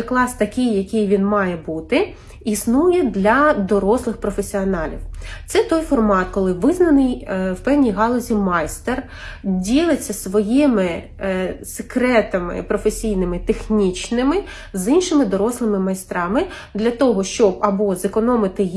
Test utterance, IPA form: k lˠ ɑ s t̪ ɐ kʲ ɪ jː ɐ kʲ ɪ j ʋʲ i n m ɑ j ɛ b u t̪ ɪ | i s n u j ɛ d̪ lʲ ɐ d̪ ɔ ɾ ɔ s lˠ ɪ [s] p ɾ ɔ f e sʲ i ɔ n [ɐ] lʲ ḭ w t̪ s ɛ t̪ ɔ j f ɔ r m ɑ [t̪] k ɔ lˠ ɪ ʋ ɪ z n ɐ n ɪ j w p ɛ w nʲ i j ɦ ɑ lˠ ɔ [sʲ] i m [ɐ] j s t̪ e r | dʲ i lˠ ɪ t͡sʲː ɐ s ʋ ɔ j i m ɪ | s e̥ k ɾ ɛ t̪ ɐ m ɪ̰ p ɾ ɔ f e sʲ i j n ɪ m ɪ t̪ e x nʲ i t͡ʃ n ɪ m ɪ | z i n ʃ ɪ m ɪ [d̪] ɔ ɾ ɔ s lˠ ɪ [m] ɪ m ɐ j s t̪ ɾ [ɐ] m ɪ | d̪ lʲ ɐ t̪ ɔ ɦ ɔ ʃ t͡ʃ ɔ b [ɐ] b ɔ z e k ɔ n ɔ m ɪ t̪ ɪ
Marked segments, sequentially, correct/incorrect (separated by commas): incorrect, incorrect, correct, incorrect, incorrect, correct, correct, incorrect, correct